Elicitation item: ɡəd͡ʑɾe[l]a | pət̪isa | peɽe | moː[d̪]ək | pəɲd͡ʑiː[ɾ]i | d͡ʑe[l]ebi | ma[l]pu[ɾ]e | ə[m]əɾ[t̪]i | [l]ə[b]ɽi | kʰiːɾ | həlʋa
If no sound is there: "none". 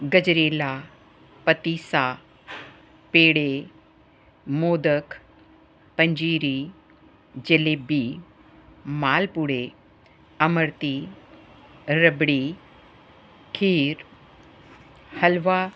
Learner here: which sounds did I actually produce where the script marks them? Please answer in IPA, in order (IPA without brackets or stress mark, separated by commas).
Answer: l, d̪, ɾ, l, l, ɽ, m, t̪, ɾ, b